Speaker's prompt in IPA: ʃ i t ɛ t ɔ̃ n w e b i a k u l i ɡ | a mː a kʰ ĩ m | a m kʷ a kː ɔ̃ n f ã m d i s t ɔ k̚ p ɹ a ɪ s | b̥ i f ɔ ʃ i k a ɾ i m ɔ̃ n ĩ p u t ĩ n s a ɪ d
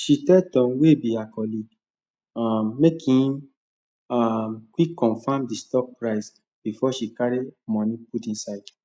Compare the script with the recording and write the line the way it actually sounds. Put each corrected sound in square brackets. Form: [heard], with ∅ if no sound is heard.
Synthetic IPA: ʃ i t ɛ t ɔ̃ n w e b i a k [ɔ] l i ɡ | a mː [e] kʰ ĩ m | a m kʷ [i] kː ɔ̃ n f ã m d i s t ɔ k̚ p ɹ a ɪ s | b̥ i f ɔ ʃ i k a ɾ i m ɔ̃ n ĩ p u t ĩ n s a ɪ d